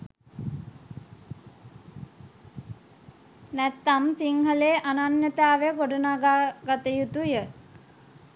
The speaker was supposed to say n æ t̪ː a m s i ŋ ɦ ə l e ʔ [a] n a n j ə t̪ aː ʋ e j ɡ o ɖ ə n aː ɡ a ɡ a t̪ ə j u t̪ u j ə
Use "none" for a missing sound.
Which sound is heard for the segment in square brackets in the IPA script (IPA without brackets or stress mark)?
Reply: a